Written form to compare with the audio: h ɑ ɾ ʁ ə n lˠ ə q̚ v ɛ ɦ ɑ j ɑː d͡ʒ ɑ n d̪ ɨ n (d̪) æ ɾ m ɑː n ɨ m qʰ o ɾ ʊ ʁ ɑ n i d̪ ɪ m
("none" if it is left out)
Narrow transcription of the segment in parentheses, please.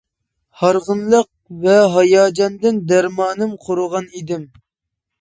d̪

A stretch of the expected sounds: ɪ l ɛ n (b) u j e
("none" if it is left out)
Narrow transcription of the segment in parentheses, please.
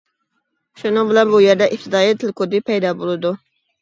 b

